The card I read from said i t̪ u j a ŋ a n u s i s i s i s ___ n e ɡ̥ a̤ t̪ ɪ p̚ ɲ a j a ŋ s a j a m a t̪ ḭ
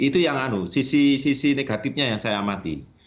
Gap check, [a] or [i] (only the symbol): i